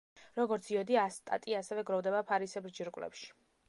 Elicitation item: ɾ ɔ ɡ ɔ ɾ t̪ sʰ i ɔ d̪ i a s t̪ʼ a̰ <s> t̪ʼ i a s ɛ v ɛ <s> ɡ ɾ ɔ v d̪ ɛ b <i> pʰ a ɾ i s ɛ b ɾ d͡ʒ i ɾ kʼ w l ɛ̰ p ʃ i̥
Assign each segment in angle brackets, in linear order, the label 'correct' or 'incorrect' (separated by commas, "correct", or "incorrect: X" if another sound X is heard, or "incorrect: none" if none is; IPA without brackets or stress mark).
incorrect: none, incorrect: none, incorrect: a